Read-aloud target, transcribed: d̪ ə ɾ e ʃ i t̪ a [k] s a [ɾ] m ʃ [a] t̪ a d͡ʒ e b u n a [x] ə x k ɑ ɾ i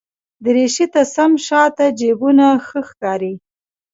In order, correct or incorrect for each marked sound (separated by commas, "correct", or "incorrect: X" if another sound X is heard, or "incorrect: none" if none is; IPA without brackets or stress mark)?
incorrect: none, incorrect: none, incorrect: ɑ, correct